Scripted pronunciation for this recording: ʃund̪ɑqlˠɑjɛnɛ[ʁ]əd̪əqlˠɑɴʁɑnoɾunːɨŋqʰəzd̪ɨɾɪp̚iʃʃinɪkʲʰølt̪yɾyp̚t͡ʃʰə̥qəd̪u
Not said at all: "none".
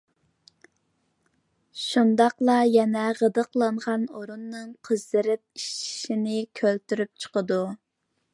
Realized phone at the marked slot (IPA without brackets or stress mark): ʁ